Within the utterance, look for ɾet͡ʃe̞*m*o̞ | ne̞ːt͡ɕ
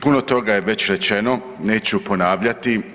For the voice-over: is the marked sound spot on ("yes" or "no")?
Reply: no